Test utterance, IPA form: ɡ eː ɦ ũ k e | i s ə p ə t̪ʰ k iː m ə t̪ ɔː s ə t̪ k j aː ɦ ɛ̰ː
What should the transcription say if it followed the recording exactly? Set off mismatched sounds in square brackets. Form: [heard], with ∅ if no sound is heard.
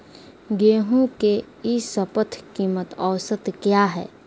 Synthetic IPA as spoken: ɡ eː ɦ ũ k e | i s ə p ə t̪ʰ k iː m ə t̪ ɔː s ə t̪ k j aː ɦ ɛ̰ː